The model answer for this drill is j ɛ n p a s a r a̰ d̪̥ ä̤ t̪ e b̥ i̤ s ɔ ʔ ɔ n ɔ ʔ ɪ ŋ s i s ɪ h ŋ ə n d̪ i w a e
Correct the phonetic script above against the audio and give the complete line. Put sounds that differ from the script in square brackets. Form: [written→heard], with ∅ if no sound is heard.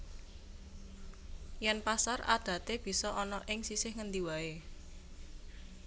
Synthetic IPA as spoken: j ɛ n p a s a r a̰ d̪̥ ä̤ t̪ e b̥ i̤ s ɔ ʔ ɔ n ɔ ʔ ɪ ŋ s i s ɪ h ŋ ə n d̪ i w a e